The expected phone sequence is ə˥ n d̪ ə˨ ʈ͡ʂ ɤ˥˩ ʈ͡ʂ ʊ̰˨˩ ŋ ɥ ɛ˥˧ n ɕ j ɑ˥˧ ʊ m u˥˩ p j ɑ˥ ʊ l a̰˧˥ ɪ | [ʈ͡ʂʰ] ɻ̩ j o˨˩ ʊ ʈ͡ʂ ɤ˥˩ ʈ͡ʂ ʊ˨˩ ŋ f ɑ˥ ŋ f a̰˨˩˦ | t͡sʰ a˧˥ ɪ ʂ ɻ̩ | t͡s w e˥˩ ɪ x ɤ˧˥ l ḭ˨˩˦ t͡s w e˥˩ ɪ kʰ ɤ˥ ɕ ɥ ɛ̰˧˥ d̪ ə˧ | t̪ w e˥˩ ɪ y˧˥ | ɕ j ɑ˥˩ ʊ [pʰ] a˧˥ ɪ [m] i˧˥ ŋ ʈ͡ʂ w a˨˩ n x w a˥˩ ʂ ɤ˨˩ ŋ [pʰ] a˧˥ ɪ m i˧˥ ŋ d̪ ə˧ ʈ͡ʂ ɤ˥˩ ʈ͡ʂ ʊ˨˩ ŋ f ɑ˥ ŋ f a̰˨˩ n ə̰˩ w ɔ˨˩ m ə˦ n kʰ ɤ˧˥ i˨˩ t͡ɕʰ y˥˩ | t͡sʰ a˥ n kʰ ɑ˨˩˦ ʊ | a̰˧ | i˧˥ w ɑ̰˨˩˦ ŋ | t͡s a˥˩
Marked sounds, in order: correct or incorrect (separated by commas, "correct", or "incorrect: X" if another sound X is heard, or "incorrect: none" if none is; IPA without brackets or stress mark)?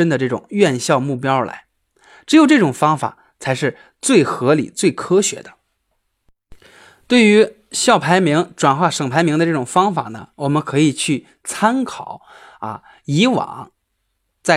incorrect: ʈ͡ʂ, correct, correct, correct